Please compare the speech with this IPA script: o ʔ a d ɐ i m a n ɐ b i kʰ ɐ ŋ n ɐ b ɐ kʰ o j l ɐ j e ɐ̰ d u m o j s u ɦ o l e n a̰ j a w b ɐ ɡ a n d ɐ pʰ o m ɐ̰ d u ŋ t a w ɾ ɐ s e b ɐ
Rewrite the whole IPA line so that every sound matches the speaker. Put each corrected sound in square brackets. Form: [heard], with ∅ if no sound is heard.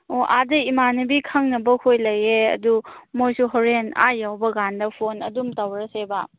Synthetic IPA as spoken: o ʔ a d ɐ i m a n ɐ b i kʰ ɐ ŋ n ɐ b ɐ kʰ o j l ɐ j e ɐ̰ d u m o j s u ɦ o [ɾ] e n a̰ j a w b ɐ ɡ a n d ɐ pʰ o [n] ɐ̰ d u [m] t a w ɾ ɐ s e b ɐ